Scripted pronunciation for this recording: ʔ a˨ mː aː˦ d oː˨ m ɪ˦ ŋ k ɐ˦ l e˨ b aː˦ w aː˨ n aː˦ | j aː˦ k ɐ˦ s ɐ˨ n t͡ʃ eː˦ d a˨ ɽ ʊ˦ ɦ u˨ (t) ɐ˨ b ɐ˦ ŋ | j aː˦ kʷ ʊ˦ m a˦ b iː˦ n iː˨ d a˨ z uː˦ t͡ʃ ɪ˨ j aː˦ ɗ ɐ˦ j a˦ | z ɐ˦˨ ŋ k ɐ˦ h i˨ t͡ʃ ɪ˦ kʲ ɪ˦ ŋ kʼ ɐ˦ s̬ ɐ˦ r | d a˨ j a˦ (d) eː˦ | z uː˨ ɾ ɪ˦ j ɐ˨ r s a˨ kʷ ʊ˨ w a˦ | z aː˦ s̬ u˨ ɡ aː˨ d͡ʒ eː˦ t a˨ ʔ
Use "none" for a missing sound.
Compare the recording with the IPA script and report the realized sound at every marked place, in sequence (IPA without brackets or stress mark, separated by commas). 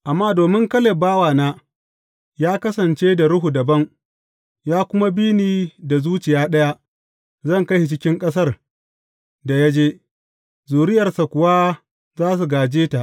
d, d͡ʒ